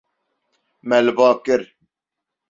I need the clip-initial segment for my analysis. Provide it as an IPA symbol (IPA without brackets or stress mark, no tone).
m